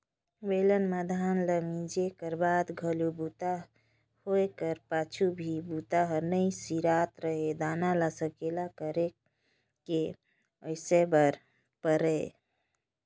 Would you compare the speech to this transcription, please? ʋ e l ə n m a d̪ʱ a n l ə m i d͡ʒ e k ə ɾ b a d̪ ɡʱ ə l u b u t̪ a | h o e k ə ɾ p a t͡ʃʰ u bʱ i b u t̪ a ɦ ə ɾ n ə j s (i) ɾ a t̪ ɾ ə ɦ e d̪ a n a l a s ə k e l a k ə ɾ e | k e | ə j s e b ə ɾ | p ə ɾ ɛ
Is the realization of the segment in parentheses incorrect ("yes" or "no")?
no